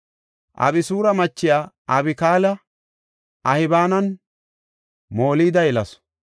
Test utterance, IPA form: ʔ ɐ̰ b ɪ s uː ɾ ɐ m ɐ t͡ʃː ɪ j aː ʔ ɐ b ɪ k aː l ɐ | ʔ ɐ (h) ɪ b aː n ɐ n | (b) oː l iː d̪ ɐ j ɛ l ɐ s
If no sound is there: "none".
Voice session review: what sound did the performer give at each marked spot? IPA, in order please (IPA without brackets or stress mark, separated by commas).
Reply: h, m